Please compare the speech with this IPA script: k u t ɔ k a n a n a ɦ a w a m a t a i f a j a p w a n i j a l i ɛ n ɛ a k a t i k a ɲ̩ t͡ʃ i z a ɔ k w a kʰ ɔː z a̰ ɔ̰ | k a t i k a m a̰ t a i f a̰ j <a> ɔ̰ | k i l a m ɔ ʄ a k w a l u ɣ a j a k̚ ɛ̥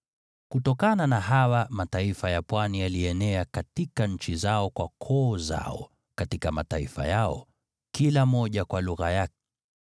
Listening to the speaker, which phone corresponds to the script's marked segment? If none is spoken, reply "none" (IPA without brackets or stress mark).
a